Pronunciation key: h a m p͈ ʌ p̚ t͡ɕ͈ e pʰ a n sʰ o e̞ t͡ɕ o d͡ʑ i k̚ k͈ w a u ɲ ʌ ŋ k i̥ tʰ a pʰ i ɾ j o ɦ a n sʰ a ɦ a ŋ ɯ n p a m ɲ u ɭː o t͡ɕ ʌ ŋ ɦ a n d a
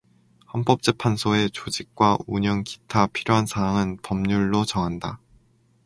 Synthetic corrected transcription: h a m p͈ ʌ p̚ t͡ɕ͈ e pʰ a n sʰ o e̞ t͡ɕ o d͡ʑ i k̚ k͈ w a u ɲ ʌ ŋ k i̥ tʰ a pʰ i ɾ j o ɦ a n sʰ a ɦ a ŋ ɯ n p ʌ m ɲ u ɭː o t͡ɕ ʌ ŋ ɦ a n d a

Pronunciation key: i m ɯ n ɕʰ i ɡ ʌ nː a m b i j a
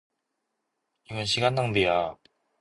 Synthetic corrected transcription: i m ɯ n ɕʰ i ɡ a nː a ŋ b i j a

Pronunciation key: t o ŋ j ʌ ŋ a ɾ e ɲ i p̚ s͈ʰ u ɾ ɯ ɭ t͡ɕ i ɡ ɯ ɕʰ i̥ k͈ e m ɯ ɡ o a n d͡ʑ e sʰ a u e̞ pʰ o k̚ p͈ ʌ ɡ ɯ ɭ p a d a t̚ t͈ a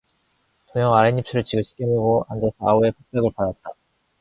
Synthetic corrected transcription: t o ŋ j ʌ ŋ a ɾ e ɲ i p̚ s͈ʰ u ɾ ɯ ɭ t͡ɕ i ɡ ɯ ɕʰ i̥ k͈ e m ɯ ɡ o a n d͡ʑ e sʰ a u e̞ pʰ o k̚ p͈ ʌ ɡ ɯ ɭ p a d a t̚ t͈ a

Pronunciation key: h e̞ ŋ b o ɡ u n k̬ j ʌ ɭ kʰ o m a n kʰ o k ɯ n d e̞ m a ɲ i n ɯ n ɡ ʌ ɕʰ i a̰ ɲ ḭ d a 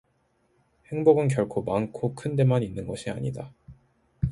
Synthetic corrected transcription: h e̞ ŋ b o ɡ ɯ n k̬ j ʌ ɭ kʰ o m a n kʰ o kʰ ɯ n d e̞ m a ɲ i nː ɯ n ɡ ʌ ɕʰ i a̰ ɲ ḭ d a

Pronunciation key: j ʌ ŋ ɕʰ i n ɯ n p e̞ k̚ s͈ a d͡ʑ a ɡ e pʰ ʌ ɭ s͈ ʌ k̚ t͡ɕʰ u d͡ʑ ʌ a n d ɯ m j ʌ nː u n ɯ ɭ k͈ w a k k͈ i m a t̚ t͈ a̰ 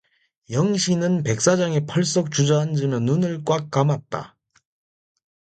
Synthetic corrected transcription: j ʌ ŋ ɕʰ i n ɯ n p e̞ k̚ s͈ a d͡ʑ a ŋ e pʰ ʌ ɭ s͈ ʌ k̚ t͡ɕ u d͡ʑ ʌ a n d͡ʑ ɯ m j ʌ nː u n ɯ ɭ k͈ w a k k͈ a m a t̚ t͈ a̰

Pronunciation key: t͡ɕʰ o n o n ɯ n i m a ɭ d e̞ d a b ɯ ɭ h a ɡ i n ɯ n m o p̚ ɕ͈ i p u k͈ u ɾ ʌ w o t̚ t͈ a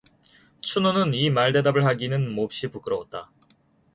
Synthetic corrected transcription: t͡ɕʰ u n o n ɯ n i m a ɭ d e̞ d a b ɯ ɭ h a ɡ i n ɯ n m o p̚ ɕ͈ i p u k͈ ɯ ɾ ʌ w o t̚ t͈ a

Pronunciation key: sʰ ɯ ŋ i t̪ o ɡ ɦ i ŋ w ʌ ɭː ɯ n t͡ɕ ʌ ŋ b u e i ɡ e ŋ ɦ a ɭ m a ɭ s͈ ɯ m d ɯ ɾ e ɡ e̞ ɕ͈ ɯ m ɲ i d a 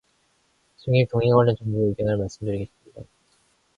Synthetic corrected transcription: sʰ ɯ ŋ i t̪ o ŋ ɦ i ŋ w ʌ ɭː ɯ n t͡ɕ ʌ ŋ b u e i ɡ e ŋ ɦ a ɭ m a ɭ s͈ ɯ m d ɯ ɾ i ɡ e̞ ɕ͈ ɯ m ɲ i d a

